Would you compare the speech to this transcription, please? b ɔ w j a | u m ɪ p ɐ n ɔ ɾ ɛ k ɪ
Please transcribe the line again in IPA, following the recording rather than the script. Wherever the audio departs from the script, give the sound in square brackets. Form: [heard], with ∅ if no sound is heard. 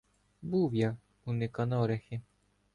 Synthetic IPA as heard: b [u] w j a | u [n] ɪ [k] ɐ n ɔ ɾ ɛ [x] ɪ